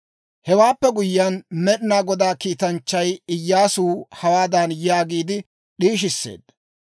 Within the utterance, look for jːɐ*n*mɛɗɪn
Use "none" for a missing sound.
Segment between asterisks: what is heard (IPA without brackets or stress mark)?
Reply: n